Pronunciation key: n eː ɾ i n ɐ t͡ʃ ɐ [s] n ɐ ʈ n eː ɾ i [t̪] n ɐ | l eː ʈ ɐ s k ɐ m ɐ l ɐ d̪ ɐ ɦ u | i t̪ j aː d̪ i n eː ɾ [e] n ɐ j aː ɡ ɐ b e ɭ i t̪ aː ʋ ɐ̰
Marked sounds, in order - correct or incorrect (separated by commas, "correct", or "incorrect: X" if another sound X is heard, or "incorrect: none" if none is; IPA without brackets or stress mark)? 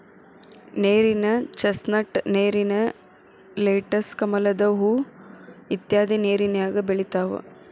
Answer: correct, incorrect: none, incorrect: i